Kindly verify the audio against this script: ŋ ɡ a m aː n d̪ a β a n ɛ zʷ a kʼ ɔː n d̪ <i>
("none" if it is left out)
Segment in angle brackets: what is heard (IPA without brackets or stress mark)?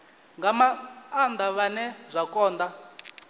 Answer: a